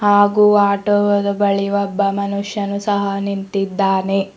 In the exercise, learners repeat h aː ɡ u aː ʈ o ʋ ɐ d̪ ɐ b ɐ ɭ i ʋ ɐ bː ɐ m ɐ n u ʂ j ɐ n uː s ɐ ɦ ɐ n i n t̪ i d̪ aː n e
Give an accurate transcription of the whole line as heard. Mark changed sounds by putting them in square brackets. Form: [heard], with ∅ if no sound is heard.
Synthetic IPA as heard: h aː ɡ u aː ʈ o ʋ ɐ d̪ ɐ b ɐ ɭ i ʋ ɐ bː ɐ m ɐ n u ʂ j ɐ n [u] s ɐ ɦ ɐ n i n t̪ i [d̪ː] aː n e

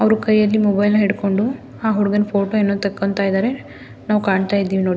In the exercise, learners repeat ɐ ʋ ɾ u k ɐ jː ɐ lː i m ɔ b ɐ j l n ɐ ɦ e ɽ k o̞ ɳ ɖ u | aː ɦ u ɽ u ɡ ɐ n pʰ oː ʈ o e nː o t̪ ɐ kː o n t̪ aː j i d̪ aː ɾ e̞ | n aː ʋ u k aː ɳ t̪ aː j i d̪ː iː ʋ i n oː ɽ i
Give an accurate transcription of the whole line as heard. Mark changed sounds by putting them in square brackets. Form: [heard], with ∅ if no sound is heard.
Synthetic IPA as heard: ɐ ʋ ɾ u k ɐ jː ɐ lː i m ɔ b ɐ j l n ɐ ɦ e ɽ k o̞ ɳ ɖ u | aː ɦ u ɽ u ɡ ɐ n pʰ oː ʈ o e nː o t̪ ɐ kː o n t̪ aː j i d̪ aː ɾ e̞ | n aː ʋ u k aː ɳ t̪ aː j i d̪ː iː ʋ i n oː ɽ i

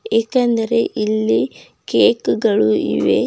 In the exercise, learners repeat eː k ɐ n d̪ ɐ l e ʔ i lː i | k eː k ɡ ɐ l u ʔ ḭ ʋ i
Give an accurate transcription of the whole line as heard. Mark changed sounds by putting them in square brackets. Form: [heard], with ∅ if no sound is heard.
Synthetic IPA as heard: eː k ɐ n d̪ ɐ [ɾ] e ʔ i lː i | k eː k ɡ ɐ [ɭ] u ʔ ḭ ʋ [e]

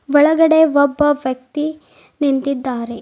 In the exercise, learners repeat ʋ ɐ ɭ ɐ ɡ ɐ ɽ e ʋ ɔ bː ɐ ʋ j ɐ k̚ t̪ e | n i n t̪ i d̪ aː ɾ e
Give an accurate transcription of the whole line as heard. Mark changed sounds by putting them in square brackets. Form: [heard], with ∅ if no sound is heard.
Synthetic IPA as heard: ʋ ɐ ɭ ɐ ɡ ɐ ɽ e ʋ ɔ bː ɐ ʋ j ɐ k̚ t̪ [i] | n i n t̪ i [d̪ː] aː ɾ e

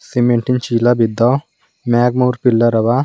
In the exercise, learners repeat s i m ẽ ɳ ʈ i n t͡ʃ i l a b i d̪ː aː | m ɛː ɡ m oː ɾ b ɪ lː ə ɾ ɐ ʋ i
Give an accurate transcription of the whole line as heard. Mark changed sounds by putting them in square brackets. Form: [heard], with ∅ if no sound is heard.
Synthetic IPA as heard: s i m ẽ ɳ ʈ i n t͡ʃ i l a b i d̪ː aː | m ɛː ɡ m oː ɾ [p] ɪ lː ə ɾ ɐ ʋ [a]

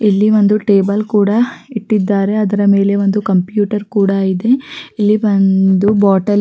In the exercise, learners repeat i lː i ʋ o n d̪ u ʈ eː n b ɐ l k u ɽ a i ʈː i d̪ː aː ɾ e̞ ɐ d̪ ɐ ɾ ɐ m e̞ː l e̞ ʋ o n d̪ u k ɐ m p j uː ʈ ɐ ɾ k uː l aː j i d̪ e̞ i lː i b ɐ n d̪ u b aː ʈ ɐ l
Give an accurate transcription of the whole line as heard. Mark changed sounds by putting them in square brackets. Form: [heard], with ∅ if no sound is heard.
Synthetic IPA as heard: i lː i ʋ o n d̪ u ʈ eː [∅] b ɐ l k [uː] ɽ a i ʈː i d̪ː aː ɾ e̞ ɐ d̪ ɐ ɾ ɐ m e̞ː l e̞ ʋ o n d̪ u k ɐ m p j uː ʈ ɐ ɾ k uː [ɽ] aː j i d̪ e̞ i lː i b ɐ n d̪ u b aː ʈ ɐ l

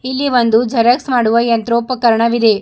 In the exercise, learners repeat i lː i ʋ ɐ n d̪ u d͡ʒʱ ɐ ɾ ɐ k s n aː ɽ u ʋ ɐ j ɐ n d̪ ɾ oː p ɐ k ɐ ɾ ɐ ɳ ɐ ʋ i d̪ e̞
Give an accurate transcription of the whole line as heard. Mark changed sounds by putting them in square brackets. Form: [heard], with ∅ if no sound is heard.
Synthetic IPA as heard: i lː i ʋ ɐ n d̪ u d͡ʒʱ ɐ ɾ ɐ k s [m] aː ɽ u ʋ ɐ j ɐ n [t̪] ɾ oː p ɐ k ɐ ɾ ɐ ɳ ɐ ʋ i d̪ e̞

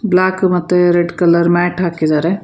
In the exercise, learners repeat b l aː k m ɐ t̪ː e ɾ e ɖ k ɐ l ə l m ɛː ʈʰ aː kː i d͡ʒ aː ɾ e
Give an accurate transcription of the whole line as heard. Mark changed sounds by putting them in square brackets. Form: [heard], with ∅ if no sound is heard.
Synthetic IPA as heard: b l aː k m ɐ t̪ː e ɾ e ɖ k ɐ l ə [ɾ] m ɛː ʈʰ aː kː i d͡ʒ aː ɾ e

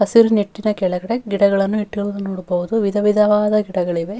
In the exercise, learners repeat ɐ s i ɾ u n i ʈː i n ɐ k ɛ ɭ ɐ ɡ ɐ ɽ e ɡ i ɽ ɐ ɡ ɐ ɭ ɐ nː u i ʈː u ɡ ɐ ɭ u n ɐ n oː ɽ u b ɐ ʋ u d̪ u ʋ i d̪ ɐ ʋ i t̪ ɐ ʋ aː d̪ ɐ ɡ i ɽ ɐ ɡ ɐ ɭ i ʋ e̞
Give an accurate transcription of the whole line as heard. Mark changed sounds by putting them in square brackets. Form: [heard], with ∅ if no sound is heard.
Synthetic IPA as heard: ɐ s i ɾ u n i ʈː i n ɐ k ɛ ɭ ɐ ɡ ɐ ɽ e ɡ i ɽ ɐ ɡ ɐ ɭ ɐ nː u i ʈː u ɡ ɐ ɭ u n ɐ n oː ɽ u b ɐ ʋ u d̪ u ʋ i d̪ ɐ ʋ i [d̪] ɐ ʋ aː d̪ ɐ ɡ i ɽ ɐ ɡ ɐ ɭ i ʋ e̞

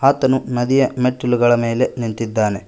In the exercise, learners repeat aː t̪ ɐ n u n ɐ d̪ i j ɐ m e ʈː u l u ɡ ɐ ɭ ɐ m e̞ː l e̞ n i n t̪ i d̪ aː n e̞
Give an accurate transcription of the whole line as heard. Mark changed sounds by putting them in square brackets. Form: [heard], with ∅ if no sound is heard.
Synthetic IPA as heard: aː t̪ ɐ n u n ɐ d̪ i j ɐ m e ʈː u l u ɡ ɐ ɭ ɐ m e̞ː l e̞ n i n t̪ i [d̪ː] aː n e̞

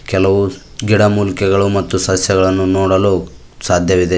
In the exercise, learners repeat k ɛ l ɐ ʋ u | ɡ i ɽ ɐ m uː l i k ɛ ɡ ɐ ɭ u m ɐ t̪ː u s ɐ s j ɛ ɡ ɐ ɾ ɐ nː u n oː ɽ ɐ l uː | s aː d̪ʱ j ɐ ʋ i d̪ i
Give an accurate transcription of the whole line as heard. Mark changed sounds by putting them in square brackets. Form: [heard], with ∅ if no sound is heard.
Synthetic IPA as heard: k ɛ l ɐ ʋ u | ɡ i ɽ ɐ m uː l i k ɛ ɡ ɐ ɭ u m ɐ t̪ː u s ɐ s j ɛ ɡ ɐ [ɭ] ɐ nː u n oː ɽ ɐ l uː | s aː d̪ʱ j ɐ ʋ i d̪ [e]

